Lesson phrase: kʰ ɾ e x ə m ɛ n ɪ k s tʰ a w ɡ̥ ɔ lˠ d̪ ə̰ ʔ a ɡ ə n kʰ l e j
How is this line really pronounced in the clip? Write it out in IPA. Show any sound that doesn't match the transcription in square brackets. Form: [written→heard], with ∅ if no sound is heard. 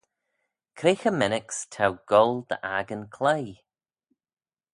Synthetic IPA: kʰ ɾ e x ə m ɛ n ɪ k s tʰ a w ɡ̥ ɔ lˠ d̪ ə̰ ʔ a ɡ ə n kʰ l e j